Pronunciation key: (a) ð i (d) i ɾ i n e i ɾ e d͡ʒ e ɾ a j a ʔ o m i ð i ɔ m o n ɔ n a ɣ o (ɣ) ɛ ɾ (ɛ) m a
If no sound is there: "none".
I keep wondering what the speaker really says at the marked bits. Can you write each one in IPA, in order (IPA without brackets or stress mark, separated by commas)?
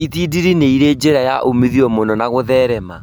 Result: i, d, ð, ɛ